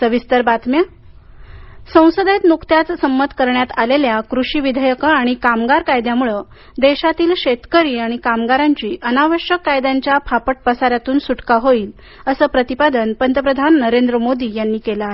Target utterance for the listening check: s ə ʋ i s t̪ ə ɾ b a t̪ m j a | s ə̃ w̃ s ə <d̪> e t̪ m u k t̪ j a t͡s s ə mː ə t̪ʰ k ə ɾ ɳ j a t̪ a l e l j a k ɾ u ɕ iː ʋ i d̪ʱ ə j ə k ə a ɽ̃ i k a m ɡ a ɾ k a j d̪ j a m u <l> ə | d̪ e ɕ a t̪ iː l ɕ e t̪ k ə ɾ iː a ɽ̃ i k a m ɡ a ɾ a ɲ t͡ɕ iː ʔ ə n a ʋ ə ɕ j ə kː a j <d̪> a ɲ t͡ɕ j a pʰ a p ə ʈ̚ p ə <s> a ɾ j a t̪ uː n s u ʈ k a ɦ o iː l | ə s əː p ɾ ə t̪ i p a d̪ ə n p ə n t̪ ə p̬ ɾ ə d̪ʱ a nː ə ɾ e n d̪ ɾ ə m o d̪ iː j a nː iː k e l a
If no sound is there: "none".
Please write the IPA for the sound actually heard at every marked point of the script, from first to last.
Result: d̪, ɭ, d̪, s

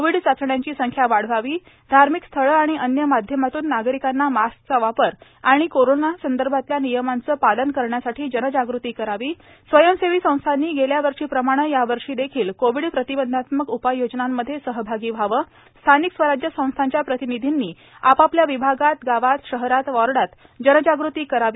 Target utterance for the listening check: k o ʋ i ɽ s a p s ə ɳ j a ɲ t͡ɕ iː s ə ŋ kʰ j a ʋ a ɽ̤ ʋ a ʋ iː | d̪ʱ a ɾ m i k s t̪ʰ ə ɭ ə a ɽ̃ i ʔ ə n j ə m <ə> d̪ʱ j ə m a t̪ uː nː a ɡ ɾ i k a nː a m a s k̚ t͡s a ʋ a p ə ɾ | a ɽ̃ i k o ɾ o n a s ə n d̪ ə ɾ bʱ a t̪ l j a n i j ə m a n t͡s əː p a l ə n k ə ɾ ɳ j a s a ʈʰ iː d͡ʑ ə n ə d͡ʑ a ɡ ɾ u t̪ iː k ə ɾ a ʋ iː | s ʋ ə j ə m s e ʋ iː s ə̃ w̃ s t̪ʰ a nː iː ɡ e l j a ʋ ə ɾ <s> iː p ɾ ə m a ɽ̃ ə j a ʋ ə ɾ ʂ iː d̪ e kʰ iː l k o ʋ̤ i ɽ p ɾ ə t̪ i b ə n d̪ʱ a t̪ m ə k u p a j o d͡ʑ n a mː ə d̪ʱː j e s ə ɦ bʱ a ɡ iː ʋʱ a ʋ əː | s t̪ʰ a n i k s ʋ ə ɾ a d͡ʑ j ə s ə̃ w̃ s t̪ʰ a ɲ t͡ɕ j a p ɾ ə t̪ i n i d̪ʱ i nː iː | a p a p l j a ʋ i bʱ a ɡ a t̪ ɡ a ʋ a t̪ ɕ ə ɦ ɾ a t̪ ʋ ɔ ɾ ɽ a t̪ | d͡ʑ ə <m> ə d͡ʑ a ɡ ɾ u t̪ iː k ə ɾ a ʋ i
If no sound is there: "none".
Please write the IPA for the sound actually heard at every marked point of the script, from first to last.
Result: a, ʂ, n

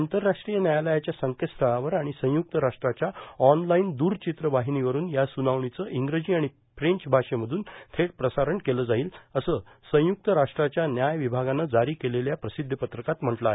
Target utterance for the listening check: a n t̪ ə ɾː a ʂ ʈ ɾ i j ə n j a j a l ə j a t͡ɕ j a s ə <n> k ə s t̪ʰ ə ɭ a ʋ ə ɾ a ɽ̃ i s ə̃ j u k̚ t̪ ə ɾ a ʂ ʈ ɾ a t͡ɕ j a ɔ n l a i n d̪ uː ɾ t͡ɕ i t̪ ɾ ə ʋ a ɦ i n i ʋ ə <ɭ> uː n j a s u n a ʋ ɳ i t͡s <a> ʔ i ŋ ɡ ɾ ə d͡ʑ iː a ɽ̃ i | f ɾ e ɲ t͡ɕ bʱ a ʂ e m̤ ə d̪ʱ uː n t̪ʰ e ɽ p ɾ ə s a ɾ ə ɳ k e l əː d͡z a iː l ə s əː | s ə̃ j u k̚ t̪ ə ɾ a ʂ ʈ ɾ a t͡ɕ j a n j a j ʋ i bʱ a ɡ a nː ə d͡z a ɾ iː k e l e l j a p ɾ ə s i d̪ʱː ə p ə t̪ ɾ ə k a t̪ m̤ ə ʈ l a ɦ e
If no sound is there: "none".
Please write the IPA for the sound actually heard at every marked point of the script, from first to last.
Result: ŋ, ɾ, ə

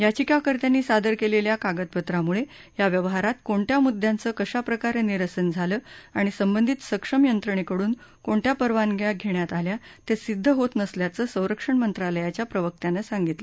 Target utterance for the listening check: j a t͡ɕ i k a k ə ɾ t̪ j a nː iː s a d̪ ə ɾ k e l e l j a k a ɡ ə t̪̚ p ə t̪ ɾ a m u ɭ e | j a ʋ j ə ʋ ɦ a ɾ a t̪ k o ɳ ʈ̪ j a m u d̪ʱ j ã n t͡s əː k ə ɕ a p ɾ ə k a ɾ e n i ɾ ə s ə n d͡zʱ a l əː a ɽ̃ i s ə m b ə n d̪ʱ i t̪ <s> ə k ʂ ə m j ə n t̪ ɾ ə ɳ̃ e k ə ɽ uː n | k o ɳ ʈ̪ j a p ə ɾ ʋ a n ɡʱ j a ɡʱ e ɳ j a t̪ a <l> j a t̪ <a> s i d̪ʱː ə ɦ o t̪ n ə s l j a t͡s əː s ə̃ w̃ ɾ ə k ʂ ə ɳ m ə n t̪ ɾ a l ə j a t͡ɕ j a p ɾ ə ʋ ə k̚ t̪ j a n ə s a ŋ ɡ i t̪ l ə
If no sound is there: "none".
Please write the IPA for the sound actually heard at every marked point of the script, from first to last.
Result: s, l, e

